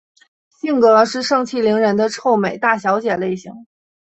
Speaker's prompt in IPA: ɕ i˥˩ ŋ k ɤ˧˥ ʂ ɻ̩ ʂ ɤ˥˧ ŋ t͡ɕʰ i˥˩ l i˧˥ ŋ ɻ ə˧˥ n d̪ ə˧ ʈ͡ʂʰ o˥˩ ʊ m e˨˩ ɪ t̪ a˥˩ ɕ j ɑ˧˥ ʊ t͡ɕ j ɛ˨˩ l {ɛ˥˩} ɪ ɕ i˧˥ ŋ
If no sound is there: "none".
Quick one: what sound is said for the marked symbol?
e˥˩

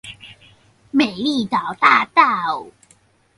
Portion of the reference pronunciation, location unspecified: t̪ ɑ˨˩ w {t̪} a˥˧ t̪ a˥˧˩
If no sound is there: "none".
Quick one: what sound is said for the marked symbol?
t̪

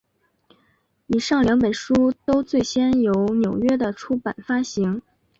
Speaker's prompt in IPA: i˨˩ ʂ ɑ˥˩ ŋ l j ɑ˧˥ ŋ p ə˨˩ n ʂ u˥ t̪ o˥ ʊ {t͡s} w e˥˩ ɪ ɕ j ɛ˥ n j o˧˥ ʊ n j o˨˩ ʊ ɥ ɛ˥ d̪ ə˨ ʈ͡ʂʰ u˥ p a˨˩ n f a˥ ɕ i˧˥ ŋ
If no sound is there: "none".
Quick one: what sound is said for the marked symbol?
t͡s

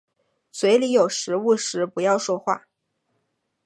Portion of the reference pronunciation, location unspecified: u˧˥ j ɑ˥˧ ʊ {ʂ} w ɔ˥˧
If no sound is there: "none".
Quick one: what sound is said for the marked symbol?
ʂ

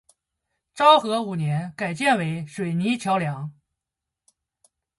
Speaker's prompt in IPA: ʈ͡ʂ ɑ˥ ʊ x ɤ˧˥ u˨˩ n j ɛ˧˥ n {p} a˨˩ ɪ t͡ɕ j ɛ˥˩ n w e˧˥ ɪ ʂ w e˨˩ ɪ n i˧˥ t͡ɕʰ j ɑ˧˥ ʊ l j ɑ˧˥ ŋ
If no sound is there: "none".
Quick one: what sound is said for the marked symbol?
k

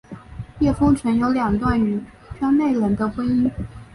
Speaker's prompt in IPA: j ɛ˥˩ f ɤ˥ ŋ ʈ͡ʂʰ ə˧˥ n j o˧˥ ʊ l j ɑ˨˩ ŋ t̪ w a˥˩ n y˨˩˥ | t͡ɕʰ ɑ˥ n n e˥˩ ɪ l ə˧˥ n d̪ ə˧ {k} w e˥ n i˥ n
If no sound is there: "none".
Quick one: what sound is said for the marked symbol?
x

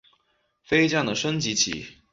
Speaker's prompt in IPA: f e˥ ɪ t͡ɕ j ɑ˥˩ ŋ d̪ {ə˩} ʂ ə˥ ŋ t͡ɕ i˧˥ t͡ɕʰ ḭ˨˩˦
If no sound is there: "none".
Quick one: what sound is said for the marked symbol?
ə˩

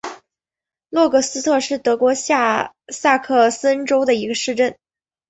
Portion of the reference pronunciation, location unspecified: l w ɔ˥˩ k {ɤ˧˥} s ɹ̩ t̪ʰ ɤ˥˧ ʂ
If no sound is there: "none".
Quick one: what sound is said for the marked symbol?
ɤ˥˩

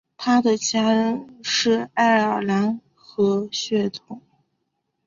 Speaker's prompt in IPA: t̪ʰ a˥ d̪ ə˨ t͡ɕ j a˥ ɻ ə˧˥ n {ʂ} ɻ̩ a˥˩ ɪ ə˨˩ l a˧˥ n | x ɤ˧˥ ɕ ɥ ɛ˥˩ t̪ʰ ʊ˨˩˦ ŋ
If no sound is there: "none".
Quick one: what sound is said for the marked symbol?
ʂ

